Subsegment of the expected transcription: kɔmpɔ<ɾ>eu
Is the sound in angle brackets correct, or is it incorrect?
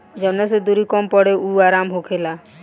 incorrect